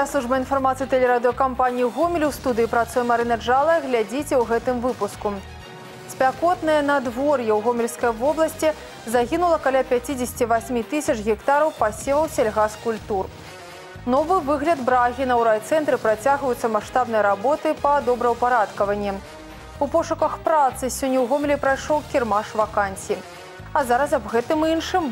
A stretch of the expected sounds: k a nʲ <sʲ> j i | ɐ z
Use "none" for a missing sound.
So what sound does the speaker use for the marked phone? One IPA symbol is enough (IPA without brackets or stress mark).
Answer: sʲ